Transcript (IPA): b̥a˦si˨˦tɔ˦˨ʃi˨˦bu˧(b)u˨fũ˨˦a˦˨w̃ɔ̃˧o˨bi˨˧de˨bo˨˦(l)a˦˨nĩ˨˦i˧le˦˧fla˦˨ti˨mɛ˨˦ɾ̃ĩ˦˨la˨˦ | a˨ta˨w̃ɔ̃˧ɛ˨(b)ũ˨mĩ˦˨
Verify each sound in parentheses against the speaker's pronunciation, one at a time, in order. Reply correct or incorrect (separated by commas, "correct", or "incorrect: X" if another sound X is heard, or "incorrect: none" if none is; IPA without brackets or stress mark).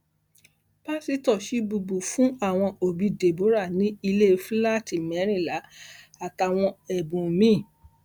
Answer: correct, incorrect: ɾ, correct